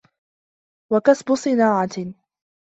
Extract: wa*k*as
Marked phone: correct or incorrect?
correct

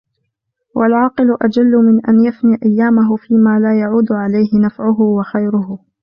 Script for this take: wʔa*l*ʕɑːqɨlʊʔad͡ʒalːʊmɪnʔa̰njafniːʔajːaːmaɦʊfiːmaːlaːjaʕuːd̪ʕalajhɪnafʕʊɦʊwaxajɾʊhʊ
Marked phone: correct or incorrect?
correct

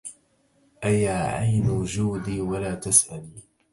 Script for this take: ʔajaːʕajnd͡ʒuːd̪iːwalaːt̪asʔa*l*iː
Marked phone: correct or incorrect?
correct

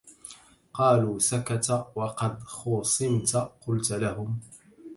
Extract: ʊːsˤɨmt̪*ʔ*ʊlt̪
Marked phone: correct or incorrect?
incorrect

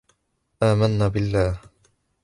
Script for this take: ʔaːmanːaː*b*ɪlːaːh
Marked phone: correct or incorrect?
correct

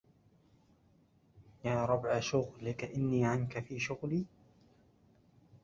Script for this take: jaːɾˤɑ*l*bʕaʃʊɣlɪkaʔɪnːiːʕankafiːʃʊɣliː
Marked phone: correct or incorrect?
incorrect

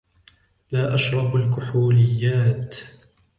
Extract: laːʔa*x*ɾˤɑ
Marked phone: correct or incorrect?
incorrect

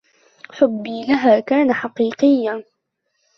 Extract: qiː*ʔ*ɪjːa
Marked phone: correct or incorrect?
incorrect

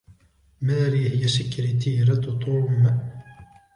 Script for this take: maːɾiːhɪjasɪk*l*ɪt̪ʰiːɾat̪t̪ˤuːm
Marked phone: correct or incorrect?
incorrect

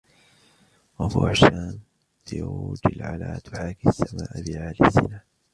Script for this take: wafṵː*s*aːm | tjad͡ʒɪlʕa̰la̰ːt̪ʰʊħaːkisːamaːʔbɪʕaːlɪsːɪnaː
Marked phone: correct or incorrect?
incorrect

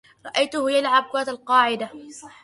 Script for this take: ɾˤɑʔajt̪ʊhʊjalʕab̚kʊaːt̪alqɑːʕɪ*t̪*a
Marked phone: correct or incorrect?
incorrect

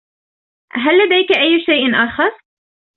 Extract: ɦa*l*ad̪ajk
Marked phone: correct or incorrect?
incorrect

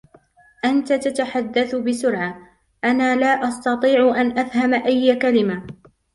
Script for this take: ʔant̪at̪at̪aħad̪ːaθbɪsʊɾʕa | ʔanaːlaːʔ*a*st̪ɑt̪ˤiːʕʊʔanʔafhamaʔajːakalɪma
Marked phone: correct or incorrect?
incorrect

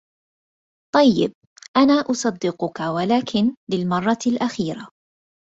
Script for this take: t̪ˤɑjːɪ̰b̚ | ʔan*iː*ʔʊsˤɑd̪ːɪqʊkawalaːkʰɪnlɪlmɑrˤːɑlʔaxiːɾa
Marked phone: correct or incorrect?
incorrect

